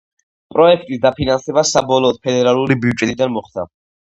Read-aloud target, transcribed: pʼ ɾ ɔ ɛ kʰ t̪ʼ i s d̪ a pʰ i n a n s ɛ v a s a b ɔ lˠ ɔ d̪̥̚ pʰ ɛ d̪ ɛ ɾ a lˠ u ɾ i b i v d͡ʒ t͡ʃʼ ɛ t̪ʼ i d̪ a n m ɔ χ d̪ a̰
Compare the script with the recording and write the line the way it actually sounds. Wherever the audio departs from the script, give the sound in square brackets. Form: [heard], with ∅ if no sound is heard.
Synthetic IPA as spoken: pʼ ɾ ɔ ɛ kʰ t̪ʼ i s d̪ a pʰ i n a n s ɛ [b] a s a b ɔ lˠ [ɔː] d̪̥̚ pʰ ɛ d̪ ɛ ɾ a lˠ u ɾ i b i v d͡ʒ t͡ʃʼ ɛ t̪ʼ i d̪ a n m ɔ χ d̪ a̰